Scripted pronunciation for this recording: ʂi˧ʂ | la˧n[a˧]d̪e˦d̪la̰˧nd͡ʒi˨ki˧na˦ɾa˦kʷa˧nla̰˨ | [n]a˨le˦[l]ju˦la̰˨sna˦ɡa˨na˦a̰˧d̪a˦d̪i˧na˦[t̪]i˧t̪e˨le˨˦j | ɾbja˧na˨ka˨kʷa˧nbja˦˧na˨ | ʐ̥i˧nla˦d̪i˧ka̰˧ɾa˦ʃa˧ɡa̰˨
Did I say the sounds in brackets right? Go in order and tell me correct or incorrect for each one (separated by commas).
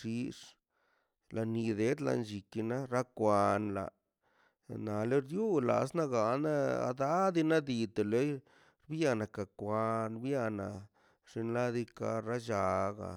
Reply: incorrect, correct, incorrect, incorrect